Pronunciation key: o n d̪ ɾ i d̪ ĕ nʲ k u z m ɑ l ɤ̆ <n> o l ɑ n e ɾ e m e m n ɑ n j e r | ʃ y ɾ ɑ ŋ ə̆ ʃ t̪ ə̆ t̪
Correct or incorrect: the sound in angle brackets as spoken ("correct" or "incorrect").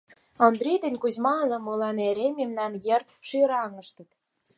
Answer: incorrect